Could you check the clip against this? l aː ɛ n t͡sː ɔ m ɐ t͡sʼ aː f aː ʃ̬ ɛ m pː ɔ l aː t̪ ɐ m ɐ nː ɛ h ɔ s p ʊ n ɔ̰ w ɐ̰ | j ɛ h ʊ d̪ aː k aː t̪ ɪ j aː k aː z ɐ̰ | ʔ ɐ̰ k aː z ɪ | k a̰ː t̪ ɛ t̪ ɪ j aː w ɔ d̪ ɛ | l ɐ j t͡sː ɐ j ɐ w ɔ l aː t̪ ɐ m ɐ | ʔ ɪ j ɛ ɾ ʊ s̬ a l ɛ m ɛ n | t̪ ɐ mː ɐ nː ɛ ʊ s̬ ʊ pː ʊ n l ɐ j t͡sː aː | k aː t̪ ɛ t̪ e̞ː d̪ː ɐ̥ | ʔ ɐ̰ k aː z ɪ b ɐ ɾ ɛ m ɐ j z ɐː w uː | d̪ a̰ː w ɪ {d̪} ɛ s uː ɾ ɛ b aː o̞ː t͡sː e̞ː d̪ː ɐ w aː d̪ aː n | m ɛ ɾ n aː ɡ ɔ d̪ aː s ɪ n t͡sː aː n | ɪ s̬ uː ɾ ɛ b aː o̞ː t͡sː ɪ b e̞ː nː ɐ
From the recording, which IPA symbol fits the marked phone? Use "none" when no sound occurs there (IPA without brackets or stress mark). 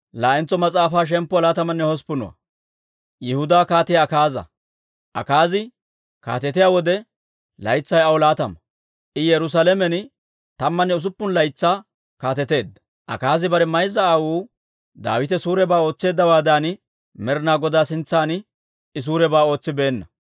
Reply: t̪